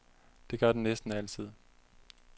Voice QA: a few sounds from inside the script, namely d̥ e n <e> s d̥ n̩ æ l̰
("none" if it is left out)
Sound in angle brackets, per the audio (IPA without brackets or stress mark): e